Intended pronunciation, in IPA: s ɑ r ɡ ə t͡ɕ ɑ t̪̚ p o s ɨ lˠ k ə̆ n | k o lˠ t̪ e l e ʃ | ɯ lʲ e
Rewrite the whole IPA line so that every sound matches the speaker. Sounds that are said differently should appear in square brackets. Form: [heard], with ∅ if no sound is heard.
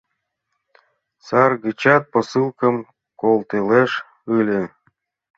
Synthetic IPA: s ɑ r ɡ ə t͡ɕ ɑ t̪̚ p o s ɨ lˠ k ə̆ [m] | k o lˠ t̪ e l e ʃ | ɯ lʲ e